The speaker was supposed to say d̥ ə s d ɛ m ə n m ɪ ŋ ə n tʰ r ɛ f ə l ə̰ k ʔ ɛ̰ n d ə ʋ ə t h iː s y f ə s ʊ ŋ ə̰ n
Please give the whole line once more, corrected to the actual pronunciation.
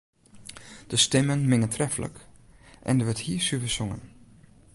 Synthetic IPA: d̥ ə s t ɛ m ə n m ɪ ŋ ə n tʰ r ɛ f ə l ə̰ k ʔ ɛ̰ n d ə ʋ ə t h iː s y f ə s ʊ ŋ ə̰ n